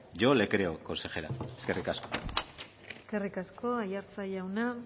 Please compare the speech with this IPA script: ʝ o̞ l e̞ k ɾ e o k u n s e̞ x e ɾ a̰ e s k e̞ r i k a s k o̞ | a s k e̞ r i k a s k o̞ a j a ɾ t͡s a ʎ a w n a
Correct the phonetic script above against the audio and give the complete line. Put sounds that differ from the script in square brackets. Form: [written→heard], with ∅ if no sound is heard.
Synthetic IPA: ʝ o̞ l e̞ k ɾ e o k [u→o] n s e̞ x e ɾ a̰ e s k e̞ r i k a s k o̞ | [a→e] s k e̞ r i k a s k o̞ a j a ɾ t͡s a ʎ a w n a